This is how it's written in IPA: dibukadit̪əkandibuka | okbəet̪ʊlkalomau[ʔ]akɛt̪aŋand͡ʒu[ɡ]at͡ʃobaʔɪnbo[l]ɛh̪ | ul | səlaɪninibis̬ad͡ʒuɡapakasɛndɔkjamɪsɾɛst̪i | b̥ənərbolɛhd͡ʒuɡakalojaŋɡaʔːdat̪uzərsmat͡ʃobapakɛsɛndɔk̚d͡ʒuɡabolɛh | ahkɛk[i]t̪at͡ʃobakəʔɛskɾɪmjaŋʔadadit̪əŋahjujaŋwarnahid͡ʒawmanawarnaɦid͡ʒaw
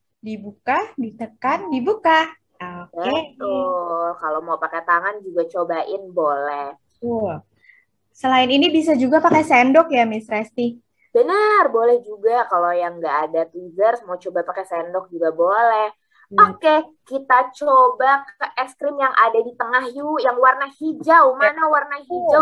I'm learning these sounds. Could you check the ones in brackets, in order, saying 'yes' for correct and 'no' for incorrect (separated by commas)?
no, yes, yes, yes